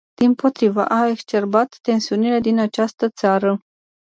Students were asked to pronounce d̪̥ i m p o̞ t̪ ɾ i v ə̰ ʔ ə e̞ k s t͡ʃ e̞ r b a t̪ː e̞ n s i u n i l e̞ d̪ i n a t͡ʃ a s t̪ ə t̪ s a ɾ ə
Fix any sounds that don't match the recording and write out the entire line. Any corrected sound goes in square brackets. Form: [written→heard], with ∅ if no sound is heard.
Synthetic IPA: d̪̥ i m p o̞ t̪ ɾ i v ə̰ ʔ [ə→a] e̞ k s t͡ʃ e̞ r b a t̪ː e̞ n s i u n i l e̞ d̪ i n a t͡ʃ a s t̪ ə t̪ s a ɾ ə